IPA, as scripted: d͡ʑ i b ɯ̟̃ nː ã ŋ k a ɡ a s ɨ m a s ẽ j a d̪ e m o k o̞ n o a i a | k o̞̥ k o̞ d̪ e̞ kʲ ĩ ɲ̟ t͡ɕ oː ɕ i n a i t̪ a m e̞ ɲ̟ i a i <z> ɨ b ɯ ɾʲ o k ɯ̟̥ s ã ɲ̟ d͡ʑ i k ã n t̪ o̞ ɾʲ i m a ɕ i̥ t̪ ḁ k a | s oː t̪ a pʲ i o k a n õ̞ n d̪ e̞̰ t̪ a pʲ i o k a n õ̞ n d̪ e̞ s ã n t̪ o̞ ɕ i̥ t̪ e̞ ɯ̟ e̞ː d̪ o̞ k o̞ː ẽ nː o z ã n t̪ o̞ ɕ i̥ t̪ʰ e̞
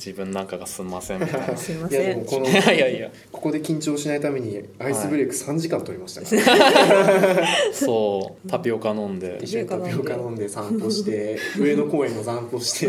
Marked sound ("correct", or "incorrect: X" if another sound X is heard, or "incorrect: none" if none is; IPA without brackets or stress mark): incorrect: s